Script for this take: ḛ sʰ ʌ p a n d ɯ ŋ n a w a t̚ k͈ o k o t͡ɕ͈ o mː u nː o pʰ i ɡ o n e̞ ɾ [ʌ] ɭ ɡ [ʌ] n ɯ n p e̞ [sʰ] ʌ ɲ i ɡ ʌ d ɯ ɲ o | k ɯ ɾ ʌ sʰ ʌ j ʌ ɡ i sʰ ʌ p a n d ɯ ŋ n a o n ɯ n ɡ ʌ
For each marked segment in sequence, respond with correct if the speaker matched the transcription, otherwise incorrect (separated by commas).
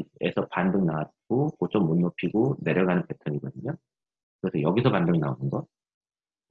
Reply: correct, incorrect, incorrect